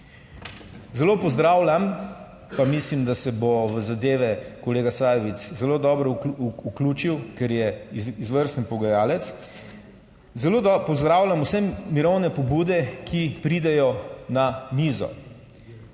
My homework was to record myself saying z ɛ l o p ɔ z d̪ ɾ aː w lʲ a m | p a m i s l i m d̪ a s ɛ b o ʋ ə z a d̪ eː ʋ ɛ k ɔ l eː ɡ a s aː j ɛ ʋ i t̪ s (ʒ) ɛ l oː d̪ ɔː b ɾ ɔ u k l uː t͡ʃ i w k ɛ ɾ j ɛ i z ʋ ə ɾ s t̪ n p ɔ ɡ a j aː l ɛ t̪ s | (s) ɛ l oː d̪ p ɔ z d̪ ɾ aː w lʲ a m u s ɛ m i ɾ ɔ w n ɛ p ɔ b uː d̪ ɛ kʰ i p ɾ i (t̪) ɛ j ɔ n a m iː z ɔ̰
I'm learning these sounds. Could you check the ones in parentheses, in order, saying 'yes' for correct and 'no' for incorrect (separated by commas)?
no, no, no